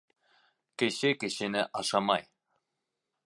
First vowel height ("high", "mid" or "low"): mid